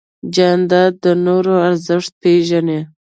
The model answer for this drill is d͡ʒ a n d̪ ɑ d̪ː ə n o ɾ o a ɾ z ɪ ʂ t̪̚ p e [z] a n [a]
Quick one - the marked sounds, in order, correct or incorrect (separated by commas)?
incorrect, incorrect